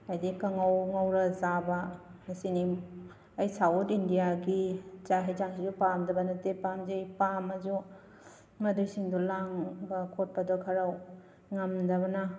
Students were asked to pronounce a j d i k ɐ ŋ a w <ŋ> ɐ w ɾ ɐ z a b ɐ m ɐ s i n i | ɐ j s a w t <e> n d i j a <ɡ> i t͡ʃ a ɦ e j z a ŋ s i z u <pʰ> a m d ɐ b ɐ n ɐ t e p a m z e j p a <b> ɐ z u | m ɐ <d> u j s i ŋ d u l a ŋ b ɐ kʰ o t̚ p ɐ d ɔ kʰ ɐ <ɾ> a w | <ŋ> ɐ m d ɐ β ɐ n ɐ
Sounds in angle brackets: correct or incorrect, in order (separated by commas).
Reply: correct, incorrect, correct, incorrect, incorrect, correct, correct, correct